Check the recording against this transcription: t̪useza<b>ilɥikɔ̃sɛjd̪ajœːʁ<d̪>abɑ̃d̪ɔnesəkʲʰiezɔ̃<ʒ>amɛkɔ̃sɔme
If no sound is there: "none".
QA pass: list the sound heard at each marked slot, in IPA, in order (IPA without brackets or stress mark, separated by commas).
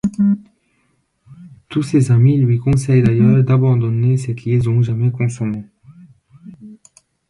m, d̪, ʒ